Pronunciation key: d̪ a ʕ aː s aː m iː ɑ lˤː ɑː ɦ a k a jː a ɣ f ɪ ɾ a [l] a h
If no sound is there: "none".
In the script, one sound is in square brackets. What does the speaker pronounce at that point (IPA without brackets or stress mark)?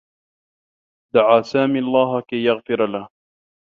l